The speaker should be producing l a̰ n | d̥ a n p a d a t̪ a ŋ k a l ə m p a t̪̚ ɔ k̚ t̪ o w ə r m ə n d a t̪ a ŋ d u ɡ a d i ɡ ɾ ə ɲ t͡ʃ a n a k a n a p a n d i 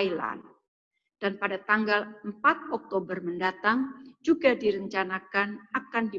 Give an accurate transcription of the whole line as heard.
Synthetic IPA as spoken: l a̰ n | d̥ a n p a d a t̪ a ŋ ɡ a l ə m p a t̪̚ ɔ k̚ t̪ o b ə r m ə n d a t̪ a ŋ d͡ʒ u ɡ a d i ɾ ə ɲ t͡ʃ a n a k a n a k a n d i